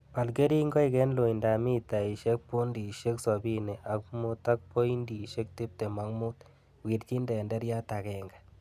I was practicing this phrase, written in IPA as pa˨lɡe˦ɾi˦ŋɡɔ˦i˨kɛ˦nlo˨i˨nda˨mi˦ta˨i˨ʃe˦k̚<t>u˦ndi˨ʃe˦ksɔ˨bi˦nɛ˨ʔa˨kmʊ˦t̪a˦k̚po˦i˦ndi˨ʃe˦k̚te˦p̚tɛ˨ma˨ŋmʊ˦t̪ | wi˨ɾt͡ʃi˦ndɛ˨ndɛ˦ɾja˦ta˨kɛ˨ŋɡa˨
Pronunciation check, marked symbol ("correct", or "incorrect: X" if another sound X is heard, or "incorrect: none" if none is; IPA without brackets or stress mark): incorrect: p